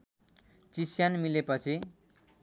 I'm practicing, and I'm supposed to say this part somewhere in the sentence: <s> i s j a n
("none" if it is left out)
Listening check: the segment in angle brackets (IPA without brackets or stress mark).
t͡s